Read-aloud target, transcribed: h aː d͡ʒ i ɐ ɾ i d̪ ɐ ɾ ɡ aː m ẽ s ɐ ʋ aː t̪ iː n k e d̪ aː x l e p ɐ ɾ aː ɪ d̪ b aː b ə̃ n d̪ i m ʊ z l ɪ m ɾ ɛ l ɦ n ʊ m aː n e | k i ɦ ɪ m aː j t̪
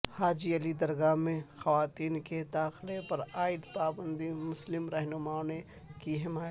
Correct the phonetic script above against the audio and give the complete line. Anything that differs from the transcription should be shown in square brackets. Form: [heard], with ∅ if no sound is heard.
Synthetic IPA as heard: h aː d͡ʒ i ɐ [l] i d̪ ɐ ɾ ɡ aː m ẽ [x] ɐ ʋ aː t̪ iː n k e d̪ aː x l e p ɐ ɾ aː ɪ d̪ [p] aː b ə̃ n d̪ i m ʊ [s] l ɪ m ɾ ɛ [∅] ɦ n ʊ m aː n e | k i ɦ ɪ m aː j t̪